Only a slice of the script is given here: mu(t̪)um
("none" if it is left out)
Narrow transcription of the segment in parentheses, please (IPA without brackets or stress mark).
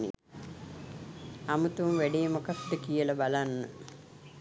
t̪